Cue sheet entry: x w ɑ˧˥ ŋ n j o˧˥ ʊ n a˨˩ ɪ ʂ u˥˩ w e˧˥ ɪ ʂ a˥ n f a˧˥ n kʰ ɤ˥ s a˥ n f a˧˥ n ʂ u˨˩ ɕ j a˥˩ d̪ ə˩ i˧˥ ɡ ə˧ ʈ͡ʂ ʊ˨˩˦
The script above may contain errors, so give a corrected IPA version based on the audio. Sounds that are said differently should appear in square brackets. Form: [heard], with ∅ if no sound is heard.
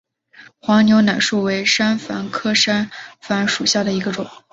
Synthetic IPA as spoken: x w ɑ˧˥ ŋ n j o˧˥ ʊ n a˨˩ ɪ ʂ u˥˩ w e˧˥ ɪ ʂ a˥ n f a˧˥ n kʰ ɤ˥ [ʂ] a˥ n f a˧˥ n ʂ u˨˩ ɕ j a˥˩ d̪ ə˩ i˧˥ ɡ ə˧ ʈ͡ʂ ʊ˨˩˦

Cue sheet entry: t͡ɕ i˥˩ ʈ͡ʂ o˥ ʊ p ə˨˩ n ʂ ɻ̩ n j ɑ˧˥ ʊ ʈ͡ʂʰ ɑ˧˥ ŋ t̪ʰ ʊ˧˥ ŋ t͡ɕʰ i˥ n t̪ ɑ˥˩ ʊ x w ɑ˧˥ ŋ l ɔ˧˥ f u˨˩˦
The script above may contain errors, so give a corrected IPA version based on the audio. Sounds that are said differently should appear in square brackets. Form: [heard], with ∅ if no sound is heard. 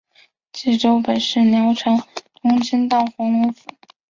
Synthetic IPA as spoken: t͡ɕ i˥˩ ʈ͡ʂ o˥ ʊ p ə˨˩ n ʂ ɻ̩ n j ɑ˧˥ ʊ ʈ͡ʂʰ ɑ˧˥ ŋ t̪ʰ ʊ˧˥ ŋ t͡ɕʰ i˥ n t̪ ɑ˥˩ ʊ x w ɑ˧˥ ŋ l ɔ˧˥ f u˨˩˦

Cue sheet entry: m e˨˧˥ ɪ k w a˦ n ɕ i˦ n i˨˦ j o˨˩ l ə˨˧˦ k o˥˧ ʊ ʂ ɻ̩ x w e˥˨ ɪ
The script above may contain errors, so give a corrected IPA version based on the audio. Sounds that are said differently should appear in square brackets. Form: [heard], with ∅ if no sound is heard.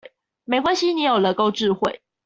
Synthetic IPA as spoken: m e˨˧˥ ɪ k w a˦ n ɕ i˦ n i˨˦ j o˨˩ l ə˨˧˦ k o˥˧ ʊ [ʈ͡ʂ] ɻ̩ x w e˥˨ ɪ

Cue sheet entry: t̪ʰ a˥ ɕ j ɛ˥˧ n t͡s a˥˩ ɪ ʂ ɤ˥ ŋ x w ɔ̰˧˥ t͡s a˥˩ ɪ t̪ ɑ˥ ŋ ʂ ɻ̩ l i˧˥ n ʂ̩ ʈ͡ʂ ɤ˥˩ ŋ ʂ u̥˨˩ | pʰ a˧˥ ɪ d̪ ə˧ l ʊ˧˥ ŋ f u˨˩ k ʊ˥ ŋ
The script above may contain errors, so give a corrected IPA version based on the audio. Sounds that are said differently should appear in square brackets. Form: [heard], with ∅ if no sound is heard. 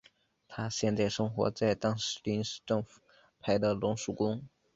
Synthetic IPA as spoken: t̪ʰ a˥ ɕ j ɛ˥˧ n t͡s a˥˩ ɪ ʂ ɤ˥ ŋ x w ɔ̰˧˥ t͡s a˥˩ ɪ t̪ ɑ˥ ŋ ʂ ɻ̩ l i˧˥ n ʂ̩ ʈ͡ʂ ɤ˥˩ ŋ [f] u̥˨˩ | pʰ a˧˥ ɪ d̪ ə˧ l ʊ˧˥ ŋ [ʂ] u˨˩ k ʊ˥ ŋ

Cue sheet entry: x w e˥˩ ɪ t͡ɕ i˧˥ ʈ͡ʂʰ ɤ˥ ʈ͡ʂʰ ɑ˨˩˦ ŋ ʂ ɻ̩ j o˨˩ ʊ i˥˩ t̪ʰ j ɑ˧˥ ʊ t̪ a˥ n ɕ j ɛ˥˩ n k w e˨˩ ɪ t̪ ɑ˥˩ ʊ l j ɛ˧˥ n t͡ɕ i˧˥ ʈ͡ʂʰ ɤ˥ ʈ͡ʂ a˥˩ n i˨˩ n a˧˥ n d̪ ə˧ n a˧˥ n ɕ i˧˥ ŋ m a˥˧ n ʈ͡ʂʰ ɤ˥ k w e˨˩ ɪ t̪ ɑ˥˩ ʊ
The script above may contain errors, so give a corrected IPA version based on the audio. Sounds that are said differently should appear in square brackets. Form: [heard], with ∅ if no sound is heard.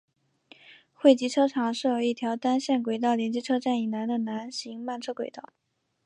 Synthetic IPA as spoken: x w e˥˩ ɪ t͡ɕ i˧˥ ʈ͡ʂʰ ɤ˥ ʈ͡ʂʰ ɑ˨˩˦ ŋ ʂ ɻ̩ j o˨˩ ʊ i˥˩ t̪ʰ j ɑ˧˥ ʊ t̪ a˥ n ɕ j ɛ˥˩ n k w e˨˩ ɪ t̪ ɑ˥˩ ʊ l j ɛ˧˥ n t͡ɕ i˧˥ ʈ͡ʂʰ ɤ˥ ʈ͡ʂ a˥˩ n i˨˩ n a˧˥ n d̪ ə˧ n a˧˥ n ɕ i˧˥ ŋ m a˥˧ n ʈ͡ʂʰ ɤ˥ k w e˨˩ ɪ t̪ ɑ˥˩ ʊ

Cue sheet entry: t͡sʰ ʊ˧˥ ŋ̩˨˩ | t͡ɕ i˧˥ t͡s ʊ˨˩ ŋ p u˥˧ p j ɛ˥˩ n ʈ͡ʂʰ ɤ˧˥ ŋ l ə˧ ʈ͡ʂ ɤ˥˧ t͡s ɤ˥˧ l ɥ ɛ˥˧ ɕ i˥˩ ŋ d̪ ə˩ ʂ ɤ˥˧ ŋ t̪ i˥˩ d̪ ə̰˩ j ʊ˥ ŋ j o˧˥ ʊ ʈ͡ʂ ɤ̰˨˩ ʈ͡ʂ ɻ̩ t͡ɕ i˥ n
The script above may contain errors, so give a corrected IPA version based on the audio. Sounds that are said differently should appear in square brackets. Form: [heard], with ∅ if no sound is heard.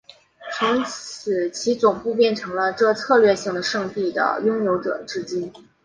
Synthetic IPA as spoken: t͡sʰ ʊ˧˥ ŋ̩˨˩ | [t͡ɕʰ] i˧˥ t͡s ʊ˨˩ ŋ p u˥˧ p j ɛ˥˩ n ʈ͡ʂʰ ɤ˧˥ ŋ l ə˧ ʈ͡ʂ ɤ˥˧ [t͡sʰ] ɤ˥˧ l ɥ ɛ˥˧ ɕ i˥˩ ŋ d̪ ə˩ ʂ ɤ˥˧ ŋ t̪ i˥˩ d̪ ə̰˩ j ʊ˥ ŋ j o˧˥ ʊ ʈ͡ʂ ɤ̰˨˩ ʈ͡ʂ ɻ̩ t͡ɕ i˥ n

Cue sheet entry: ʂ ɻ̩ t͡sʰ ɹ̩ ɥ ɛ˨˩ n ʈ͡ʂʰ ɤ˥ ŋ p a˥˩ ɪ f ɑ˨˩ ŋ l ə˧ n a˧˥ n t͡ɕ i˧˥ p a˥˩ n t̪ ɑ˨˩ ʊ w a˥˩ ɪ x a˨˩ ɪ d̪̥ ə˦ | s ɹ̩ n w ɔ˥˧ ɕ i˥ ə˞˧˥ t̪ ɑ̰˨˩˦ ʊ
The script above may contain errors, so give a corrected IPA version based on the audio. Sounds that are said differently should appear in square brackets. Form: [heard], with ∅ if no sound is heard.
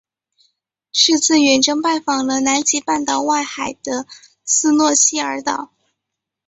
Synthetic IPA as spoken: ʂ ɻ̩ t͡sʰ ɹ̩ ɥ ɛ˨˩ n [ʈ͡ʂ] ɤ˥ ŋ p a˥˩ ɪ f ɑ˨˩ ŋ l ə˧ n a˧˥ n t͡ɕ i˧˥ p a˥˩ n t̪ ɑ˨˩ ʊ w a˥˩ ɪ x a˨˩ ɪ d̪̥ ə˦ | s ɹ̩ n w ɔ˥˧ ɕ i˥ ə˞˧˥ t̪ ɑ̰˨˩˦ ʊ

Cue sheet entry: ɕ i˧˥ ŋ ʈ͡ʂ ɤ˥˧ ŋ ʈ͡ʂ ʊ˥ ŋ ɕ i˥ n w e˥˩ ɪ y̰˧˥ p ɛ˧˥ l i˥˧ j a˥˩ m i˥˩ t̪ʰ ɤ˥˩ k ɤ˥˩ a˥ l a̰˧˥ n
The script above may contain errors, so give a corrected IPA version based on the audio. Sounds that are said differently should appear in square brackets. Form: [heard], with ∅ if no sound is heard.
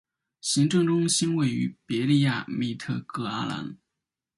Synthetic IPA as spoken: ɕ i˧˥ ŋ ʈ͡ʂ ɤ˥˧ ŋ ʈ͡ʂ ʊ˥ ŋ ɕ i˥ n w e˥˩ ɪ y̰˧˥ p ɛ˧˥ l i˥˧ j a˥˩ m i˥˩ t̪ʰ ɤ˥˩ k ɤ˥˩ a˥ l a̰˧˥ n

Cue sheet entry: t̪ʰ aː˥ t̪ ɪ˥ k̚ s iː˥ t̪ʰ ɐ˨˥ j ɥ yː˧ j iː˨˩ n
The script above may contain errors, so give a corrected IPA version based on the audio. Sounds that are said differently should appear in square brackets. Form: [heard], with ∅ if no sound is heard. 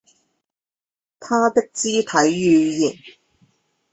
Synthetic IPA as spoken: t̪ʰ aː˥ t̪ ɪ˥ k̚ [t͡s] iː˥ t̪ʰ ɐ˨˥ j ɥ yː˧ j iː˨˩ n

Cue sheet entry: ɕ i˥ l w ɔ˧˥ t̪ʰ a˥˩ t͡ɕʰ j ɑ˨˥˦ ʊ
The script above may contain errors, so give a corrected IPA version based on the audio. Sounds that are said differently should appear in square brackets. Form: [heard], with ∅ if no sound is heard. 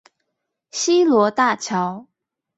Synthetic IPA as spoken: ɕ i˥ l w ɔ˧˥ [t̪] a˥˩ t͡ɕʰ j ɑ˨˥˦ ʊ

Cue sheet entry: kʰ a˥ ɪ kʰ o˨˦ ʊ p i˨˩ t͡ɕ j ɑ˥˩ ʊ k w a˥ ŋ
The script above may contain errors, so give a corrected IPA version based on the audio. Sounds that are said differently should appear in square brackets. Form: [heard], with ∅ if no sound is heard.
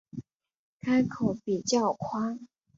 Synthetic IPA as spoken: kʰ a˥ ɪ kʰ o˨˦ ʊ p i˨˩ t͡ɕ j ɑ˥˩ ʊ [kʰ] w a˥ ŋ

